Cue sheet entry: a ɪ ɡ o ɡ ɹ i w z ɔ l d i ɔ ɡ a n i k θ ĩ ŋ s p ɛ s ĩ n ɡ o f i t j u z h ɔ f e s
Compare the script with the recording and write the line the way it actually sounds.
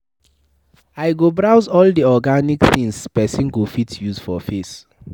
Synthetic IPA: a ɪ ɡ o b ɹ a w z ɔ l d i ɔ ɡ a n i k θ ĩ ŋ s p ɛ s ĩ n ɡ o f i t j u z f ɔ f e s